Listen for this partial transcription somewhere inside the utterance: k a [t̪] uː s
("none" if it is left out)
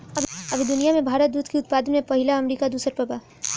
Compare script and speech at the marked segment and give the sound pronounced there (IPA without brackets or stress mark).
d̪